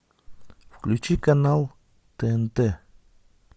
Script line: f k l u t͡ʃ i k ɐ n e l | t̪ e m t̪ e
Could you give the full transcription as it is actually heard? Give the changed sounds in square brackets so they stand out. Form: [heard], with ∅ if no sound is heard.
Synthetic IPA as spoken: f k l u t͡ʃ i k [a] n [a] l | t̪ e [n] t̪ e